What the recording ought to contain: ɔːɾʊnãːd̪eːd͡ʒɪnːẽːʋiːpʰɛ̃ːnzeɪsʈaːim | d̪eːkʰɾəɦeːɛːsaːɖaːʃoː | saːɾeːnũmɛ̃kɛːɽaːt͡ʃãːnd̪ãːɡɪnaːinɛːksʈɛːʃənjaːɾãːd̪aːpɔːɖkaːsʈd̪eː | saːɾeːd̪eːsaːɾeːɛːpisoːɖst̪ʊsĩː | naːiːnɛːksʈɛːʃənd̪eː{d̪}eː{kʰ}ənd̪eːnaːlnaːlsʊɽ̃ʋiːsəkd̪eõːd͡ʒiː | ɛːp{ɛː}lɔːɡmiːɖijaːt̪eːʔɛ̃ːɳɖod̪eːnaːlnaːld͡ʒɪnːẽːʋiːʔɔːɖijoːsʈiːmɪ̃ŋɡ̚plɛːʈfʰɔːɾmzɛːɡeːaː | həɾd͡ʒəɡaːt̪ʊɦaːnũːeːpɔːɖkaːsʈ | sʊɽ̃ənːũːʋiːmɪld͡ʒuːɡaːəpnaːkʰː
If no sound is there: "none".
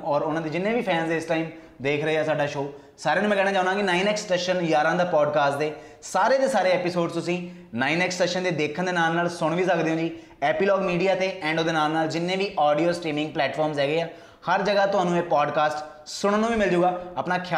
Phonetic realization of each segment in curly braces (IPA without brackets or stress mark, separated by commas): d̪, kʰ, iː